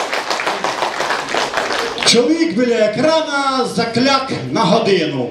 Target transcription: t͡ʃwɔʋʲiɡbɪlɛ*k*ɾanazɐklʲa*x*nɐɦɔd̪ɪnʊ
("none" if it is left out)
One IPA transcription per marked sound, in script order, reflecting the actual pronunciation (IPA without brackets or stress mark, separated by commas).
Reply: k, k